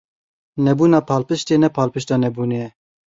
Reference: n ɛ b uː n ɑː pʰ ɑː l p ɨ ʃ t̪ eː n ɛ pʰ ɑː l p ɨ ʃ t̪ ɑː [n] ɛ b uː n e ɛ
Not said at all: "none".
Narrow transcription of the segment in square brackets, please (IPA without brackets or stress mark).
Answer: n